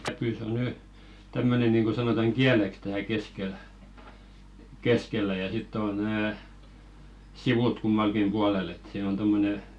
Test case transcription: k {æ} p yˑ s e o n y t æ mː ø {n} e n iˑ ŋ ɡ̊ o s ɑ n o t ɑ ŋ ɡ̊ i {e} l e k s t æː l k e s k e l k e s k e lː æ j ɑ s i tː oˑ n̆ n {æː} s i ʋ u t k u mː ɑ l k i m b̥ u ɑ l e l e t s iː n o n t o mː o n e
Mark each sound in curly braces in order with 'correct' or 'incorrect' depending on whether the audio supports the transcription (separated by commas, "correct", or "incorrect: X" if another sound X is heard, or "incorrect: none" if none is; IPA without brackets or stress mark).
correct, correct, incorrect: æ, correct